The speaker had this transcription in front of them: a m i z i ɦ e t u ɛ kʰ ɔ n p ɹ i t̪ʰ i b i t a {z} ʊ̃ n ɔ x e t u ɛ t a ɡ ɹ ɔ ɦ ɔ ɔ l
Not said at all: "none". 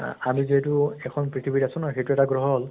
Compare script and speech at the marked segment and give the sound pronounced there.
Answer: s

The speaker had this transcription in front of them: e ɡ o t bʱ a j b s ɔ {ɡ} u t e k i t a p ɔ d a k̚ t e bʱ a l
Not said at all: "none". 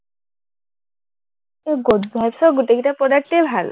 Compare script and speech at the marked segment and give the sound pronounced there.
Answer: ɡ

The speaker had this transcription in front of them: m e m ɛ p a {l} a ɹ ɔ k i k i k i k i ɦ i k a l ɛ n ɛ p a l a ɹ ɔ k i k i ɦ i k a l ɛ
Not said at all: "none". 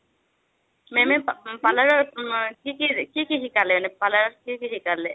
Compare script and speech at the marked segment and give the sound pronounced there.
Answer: l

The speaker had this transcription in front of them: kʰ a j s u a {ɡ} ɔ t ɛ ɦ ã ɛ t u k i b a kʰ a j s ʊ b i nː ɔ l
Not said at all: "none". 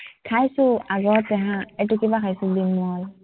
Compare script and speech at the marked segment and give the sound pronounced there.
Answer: ɡ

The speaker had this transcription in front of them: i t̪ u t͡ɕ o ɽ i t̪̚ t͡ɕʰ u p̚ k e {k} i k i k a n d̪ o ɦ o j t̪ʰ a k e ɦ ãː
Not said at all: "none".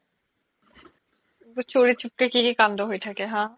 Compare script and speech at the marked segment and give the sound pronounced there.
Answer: k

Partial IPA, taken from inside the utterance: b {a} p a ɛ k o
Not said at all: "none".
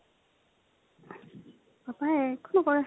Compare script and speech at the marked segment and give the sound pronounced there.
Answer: a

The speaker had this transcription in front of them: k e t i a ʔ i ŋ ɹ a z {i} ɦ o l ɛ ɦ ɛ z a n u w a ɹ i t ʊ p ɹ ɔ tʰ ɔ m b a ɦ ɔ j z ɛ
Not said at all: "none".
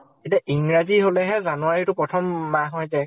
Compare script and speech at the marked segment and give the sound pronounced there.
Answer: i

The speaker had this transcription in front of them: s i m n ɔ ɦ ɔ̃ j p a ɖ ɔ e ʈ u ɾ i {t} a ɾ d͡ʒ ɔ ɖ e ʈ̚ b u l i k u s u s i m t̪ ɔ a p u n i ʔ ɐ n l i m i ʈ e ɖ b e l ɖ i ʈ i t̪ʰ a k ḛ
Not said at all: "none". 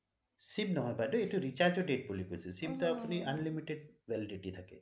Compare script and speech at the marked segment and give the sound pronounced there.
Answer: t͡ʃ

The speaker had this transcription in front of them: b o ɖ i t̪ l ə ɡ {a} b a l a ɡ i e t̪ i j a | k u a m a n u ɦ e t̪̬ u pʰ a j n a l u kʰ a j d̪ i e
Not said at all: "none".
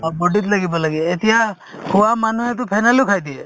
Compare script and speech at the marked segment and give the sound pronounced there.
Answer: i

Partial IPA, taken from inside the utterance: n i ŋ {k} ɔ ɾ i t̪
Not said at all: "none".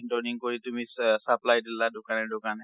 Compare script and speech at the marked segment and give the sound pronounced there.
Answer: k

